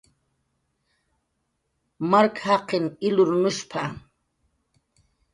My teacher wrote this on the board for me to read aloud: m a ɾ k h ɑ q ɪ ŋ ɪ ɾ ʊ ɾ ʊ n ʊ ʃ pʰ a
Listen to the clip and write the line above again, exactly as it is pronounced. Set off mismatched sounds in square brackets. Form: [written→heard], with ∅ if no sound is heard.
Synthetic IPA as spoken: m a ɾ k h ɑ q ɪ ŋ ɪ [ɾ→l] ʊ ɾ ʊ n ʊ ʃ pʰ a